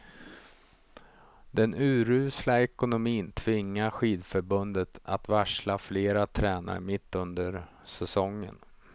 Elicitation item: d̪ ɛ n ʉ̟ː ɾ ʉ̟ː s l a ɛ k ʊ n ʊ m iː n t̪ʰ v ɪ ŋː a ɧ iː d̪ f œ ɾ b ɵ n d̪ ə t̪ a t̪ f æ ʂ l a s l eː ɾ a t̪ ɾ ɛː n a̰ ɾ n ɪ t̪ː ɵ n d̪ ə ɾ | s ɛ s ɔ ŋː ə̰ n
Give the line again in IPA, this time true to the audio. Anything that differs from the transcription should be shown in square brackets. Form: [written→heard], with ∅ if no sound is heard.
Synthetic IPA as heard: d̪ ɛ n ʉ̟ː ɾ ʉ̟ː s l a ɛ k ʊ n ʊ m iː n t̪ʰ v ɪ ŋː a ɧ iː d̪ f œ ɾ b ɵ n d̪ ə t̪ a t̪ [f→v] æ ʂ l a [s→f] l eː ɾ a [t̪→t̪ʰ] ɾ ɛː n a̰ ɾ [n→m] ɪ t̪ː ɵ n d̪ ə ɾ | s ɛ s ɔ ŋː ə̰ n

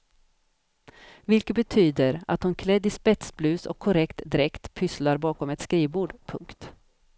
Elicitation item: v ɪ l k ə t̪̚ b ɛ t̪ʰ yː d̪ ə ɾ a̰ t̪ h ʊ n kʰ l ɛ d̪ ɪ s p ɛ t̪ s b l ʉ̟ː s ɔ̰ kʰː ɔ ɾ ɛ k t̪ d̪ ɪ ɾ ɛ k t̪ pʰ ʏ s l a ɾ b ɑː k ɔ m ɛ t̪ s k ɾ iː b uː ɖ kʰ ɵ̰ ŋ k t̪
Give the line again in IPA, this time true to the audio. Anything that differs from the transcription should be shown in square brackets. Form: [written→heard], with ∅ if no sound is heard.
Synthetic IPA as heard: v ɪ l k ə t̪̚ b ɛ t̪ʰ yː d̪ ə ɾ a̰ t̪ h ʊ n kʰ l ɛ d̪ ɪ s p ɛ t̪ s b l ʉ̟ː s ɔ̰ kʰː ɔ ɾ ɛ k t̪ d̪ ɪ ɾ ɛ k t̪ pʰ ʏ s l a ɾ b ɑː k ɔ m ɛ t̪ s k ɾ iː b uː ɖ [kʰ→pʰ] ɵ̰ ŋ k t̪

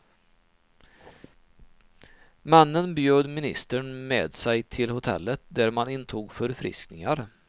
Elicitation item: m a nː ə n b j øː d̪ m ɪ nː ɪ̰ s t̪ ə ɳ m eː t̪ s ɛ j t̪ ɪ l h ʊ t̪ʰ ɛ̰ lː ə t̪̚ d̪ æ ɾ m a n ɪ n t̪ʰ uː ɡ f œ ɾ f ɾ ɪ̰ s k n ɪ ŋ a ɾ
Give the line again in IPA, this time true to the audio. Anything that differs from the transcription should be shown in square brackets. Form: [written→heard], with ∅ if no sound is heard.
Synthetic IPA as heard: m a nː ə n b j øː d̪ m ɪ [nː→n] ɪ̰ s t̪ ə ɳ m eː [t̪→d̪] s ɛ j [t̪→t̪ʰ] ɪ l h ʊ t̪ʰ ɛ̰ lː ə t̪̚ d̪ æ ɾ m a n ɪ n t̪ʰ uː ɡ f œ ɾ f ɾ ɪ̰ s k n ɪ ŋ a ɾ

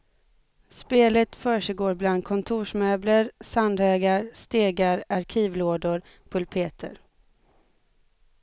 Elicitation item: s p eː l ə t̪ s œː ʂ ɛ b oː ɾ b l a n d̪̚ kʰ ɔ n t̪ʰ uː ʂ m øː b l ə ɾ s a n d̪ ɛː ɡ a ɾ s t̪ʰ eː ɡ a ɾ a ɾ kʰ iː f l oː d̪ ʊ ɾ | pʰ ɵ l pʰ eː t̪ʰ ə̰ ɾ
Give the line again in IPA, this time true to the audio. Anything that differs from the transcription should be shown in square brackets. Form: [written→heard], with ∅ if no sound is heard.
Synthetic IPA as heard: s p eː l ə t̪ [s→f] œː ʂ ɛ [b→ɡ] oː ɾ b l a n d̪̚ kʰ ɔ n t̪ʰ uː ʂ m øː b l ə ɾ s a n d̪ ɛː ɡ a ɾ s [t̪ʰ→t̪] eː ɡ a ɾ a ɾ kʰ iː [f→v] l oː d̪ ʊ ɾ | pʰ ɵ l pʰ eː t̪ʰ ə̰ ɾ

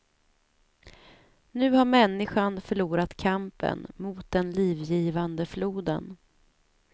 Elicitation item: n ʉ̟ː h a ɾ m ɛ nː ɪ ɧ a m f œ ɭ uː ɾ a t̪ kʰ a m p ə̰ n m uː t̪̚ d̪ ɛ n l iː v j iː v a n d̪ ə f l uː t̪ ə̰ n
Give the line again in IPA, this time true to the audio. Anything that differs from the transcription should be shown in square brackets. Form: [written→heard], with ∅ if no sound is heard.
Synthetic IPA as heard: n ʉ̟ː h a ɾ m ɛ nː ɪ ɧ a [m→n] f œ ɭ uː ɾ a t̪ kʰ a m p ə̰ n m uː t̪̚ d̪ ɛ n l iː v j iː v a n d̪ ə f l uː [t̪→d̪] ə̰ n

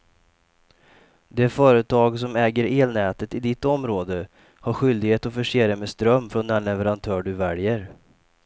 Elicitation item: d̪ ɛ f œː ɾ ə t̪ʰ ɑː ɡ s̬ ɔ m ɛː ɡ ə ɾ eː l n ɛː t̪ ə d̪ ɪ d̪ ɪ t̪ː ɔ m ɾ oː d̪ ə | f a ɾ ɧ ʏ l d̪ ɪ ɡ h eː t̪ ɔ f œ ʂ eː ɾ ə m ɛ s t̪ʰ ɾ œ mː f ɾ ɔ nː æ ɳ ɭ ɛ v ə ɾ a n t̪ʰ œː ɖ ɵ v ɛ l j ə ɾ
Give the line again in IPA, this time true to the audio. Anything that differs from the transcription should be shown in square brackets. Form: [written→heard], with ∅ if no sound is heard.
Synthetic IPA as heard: d̪ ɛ f œː ɾ ə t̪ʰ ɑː ɡ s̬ ɔ m ɛː ɡ ə ɾ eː l n ɛː t̪ ə [d̪→t̪] ɪ d̪ ɪ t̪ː ɔ m ɾ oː d̪ ə | [f→h] a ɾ ɧ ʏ l d̪ ɪ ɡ h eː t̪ ɔ f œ ʂ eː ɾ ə m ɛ s [t̪ʰ→t̪] ɾ œ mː f ɾ ɔ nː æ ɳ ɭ ɛ v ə ɾ a n t̪ʰ œː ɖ ɵ v ɛ l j ə ɾ

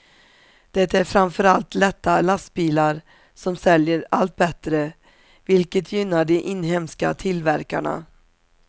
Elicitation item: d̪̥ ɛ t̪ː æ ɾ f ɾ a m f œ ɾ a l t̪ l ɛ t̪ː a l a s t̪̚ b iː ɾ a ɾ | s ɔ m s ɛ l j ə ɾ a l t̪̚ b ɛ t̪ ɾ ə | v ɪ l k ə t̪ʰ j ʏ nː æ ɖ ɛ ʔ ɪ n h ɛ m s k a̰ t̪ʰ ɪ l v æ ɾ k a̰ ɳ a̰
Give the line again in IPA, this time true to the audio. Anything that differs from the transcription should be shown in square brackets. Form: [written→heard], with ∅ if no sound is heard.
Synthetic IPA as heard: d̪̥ ɛ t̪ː æ ɾ f ɾ a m f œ ɾ a l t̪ l ɛ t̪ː a l a s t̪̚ b iː [ɾ→l] a ɾ | s ɔ m s ɛ l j ə ɾ a l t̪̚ b ɛ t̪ ɾ ə | v ɪ l k ə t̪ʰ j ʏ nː [æ→a] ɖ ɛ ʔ ɪ n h ɛ m s k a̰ t̪ʰ ɪ l v æ ɾ k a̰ ɳ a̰

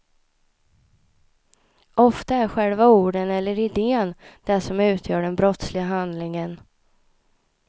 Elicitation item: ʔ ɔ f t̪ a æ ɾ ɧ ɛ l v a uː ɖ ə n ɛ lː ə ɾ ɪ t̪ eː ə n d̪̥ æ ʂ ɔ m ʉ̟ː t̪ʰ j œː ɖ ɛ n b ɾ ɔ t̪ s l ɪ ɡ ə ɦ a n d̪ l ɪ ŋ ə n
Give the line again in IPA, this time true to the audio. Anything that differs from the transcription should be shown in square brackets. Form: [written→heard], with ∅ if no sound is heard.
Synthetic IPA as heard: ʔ ɔ f t̪ a æ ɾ ɧ ɛ l v a uː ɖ ə n ɛ lː ə ɾ ɪ [t̪→d̪] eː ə n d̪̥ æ ʂ ɔ m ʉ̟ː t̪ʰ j œː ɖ ɛ n b ɾ ɔ t̪ s l ɪ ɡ [ə→a] ɦ a n d̪ l ɪ ŋ ə n

